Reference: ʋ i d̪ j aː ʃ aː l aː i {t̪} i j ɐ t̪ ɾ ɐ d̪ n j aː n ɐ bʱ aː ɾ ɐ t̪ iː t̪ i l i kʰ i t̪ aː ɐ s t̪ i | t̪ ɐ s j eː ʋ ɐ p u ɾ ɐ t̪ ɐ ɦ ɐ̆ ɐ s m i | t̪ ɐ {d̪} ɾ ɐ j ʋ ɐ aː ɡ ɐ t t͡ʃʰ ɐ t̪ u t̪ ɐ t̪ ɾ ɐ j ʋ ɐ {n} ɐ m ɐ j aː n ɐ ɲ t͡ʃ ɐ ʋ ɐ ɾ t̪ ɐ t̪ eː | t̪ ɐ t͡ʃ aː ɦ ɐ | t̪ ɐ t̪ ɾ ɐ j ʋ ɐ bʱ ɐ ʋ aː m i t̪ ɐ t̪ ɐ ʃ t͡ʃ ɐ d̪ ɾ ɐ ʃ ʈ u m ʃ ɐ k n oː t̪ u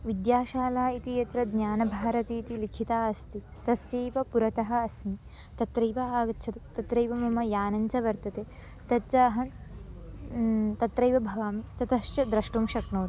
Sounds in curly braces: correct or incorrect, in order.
correct, incorrect, incorrect

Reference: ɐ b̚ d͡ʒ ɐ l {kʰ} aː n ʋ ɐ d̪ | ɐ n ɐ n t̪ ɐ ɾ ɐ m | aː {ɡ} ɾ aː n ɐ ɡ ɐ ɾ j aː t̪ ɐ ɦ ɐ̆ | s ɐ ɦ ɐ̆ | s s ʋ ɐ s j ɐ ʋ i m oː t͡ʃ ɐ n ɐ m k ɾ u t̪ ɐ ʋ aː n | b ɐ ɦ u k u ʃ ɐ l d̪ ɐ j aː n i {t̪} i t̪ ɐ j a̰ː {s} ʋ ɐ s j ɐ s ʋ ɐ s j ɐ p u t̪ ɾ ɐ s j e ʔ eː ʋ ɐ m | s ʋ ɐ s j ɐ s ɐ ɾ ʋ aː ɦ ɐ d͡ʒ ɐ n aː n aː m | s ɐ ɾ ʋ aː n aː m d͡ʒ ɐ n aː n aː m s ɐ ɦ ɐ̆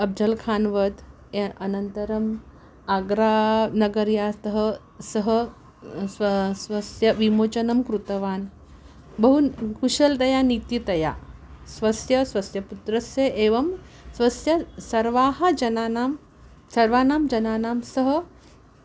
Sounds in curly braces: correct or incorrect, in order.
correct, correct, correct, correct

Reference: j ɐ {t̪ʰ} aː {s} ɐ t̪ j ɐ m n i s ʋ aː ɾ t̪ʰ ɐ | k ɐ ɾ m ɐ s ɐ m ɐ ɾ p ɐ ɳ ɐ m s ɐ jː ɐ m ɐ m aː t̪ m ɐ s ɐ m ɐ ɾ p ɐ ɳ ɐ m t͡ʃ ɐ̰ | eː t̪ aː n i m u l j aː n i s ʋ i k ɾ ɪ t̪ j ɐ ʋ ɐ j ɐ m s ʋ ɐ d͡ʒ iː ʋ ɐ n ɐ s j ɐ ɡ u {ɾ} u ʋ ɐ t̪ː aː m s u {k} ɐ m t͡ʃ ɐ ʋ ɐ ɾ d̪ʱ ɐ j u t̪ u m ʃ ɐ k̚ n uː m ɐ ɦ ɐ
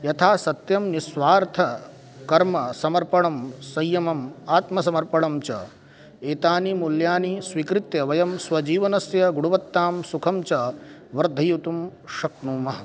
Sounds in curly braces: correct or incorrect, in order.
correct, correct, incorrect, incorrect

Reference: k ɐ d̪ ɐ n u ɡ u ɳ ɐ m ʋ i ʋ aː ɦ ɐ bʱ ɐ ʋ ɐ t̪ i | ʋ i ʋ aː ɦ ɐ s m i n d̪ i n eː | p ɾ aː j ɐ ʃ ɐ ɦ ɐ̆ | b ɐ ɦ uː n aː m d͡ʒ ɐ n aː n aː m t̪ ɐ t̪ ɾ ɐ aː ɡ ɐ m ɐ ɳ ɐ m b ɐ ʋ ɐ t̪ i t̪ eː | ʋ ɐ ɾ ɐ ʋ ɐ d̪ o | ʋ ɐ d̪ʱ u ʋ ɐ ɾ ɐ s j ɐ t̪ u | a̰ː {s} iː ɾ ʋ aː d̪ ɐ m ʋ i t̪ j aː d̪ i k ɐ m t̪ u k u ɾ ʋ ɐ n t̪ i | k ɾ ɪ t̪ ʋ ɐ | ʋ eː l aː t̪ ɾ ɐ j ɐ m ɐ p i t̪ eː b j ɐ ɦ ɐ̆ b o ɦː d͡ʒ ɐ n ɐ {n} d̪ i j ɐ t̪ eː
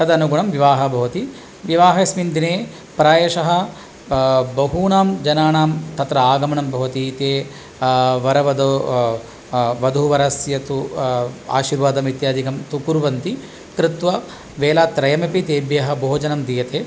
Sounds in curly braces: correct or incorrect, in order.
incorrect, incorrect

